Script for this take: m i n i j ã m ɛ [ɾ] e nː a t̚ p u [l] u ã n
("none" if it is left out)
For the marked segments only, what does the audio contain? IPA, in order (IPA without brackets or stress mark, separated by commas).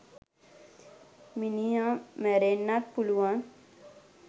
ɾ, l